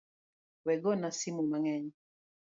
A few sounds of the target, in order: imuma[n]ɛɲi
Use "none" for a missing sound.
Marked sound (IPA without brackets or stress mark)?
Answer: ŋ